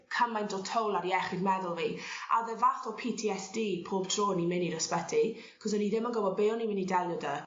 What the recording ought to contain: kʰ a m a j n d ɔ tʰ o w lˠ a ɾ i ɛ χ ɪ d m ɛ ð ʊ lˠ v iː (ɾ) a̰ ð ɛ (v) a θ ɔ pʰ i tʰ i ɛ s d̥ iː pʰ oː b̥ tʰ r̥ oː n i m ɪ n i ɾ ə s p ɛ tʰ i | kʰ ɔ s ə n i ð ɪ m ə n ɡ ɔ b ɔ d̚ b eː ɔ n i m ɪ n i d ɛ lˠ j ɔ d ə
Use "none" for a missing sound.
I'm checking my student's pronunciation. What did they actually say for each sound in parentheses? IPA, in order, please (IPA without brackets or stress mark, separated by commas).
none, v